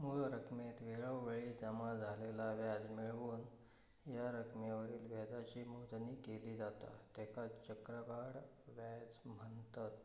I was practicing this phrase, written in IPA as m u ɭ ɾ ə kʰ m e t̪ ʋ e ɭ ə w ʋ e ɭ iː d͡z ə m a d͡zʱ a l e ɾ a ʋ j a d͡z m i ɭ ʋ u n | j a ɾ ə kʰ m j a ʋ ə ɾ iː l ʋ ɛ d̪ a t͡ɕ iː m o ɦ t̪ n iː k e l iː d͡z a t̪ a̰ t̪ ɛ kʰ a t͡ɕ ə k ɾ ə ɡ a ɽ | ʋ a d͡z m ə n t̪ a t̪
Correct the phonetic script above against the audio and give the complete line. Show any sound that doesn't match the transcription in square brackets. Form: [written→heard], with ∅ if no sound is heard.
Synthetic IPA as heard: m u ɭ ɾ ə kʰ m e t̪ ʋ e ɭ ə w ʋ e ɭ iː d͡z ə m a d͡zʱ a l e [ɾ→l] a ʋ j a d͡z m i ɭ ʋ [u→uː] n | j a ɾ ə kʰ m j a ʋ ə ɾ iː l ʋ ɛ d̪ a t͡ɕ iː m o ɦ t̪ n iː k e l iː d͡z a t̪ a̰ t̪ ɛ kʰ a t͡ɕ ə k ɾ ə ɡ a ɽ | ʋ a d͡z m ə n t̪ a t̪